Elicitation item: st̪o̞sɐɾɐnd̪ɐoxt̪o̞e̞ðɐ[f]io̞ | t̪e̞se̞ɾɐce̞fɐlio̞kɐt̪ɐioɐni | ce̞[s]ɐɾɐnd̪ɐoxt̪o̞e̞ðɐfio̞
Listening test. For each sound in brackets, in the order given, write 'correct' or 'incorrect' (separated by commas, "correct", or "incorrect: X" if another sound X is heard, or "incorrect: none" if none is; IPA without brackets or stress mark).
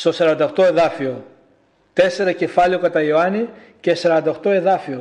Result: correct, correct